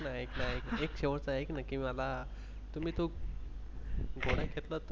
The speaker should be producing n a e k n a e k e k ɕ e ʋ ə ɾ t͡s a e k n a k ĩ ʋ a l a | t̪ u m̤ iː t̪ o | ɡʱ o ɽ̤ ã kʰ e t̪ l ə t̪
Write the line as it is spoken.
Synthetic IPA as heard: n a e k n a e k e k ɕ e ʋ ə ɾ t͡s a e k n a k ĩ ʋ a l a | t̪ u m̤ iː t̪ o | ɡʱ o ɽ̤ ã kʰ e t̪ l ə t̪